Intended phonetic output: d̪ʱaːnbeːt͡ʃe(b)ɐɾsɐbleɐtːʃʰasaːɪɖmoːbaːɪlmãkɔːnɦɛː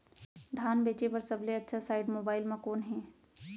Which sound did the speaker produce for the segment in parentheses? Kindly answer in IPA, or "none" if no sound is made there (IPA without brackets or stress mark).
p